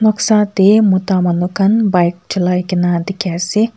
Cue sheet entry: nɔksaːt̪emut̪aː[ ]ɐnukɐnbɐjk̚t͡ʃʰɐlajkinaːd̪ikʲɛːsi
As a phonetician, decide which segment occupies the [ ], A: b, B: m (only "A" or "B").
B